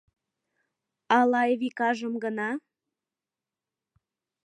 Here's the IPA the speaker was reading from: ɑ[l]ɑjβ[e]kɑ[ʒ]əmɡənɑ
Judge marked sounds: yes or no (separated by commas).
yes, no, yes